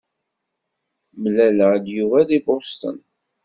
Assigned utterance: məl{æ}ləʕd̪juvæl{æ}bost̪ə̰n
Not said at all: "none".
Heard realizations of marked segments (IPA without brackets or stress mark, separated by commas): æ, i